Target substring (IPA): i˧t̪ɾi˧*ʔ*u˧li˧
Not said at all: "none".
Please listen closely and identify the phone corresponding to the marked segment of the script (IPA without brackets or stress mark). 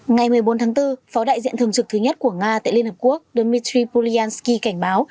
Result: p